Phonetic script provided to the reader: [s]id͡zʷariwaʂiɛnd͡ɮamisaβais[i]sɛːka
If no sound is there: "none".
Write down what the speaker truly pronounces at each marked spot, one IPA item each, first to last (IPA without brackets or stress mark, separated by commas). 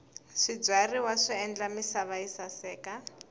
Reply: ʂ, a